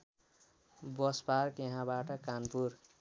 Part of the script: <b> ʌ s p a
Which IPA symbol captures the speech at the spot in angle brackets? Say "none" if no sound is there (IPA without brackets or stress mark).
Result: b